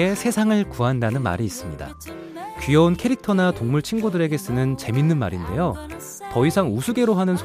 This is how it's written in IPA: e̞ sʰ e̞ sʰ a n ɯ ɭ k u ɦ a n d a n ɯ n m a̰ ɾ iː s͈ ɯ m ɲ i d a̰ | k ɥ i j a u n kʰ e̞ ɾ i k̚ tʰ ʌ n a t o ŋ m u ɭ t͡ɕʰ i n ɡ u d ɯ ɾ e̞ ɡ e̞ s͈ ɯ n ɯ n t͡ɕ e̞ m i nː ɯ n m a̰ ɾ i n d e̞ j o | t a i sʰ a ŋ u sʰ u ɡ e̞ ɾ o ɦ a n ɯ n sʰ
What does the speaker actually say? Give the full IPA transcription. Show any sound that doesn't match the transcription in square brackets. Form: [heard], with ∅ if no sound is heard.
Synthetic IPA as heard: e̞ sʰ e̞ sʰ a [ŋ] ɯ ɭ k u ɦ a n d a n ɯ n m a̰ ɾ iː s͈ ɯ m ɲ i d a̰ | k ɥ i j [ʌ] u n kʰ e̞ ɾ i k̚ tʰ ʌ n a t o ŋ m u ɭ t͡ɕʰ i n ɡ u d ɯ ɾ e̞ ɡ e̞ s͈ ɯ n ɯ n t͡ɕ e̞ m i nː ɯ n m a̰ ɾ i n d e̞ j o | t [ʌ] i sʰ a ŋ u sʰ u ɡ e̞ ɾ o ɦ a n ɯ n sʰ